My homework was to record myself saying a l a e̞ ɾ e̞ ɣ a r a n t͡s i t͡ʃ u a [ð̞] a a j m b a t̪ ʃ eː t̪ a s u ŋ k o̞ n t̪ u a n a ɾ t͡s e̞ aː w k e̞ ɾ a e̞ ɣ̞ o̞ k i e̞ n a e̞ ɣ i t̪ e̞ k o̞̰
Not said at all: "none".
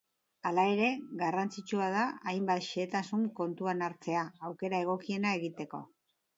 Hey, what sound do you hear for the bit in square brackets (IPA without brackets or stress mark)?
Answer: ð̞